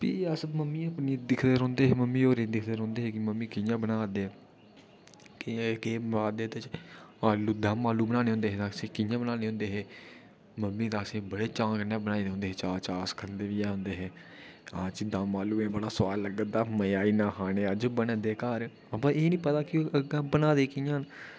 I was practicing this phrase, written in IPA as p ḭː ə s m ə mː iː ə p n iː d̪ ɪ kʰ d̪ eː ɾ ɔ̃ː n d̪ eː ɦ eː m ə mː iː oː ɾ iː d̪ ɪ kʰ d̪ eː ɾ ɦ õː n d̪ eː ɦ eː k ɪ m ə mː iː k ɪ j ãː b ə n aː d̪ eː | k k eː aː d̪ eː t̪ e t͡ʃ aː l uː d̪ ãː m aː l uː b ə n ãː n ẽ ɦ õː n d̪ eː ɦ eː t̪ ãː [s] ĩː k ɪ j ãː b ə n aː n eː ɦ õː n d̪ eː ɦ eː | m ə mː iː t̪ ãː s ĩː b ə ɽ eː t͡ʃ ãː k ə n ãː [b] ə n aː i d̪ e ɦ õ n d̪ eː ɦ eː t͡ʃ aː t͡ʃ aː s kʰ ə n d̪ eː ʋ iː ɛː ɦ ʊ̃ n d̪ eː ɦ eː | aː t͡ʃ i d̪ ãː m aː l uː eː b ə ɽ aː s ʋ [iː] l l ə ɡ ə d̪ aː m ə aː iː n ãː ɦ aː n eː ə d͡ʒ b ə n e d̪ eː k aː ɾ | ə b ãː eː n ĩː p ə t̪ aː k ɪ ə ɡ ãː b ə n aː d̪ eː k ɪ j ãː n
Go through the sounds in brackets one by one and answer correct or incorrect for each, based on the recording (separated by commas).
correct, correct, incorrect